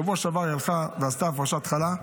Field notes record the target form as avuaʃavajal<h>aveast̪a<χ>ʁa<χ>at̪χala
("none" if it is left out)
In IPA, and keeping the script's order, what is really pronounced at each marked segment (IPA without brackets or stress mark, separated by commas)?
χ, f, ʃ